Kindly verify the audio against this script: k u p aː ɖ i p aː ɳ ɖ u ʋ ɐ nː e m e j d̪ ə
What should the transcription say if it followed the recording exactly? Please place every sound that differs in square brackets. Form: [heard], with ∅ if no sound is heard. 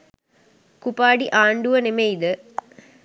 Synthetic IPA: k u p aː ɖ i [ʔ] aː ɳ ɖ u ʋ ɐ [n] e m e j d̪ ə